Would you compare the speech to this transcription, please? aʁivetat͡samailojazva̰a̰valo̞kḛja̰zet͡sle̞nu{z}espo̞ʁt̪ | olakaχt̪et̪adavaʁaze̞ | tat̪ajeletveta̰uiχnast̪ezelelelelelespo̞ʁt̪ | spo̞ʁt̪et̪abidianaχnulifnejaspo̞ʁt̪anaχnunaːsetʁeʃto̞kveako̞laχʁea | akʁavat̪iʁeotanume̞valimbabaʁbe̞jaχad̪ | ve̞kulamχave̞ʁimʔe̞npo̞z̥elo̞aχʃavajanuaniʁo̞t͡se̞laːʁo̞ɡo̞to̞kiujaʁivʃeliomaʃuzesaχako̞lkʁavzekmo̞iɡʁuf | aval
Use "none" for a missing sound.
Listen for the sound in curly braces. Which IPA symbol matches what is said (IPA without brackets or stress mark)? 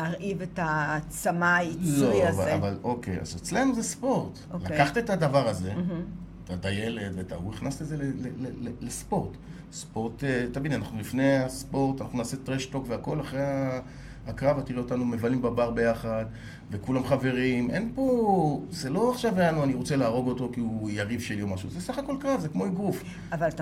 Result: z